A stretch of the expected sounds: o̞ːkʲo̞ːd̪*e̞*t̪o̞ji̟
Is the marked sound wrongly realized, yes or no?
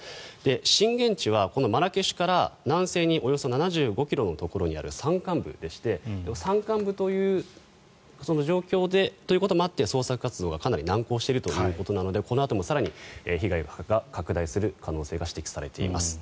no